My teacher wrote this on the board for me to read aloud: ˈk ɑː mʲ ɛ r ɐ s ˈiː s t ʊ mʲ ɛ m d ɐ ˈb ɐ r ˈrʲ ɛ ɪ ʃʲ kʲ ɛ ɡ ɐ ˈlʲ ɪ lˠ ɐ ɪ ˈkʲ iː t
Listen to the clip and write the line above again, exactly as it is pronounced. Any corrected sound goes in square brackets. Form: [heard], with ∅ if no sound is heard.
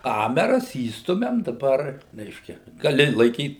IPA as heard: ˈk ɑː mʲ ɛ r ɐ s ˈiː s t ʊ mʲ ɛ m d ɐ ˈb ɐ r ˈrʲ ɛ ɪ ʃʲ kʲ ɛ ɡ ɐ ˈlʲ ɪ lˠ ɐ ɪ ˈkʲ iː t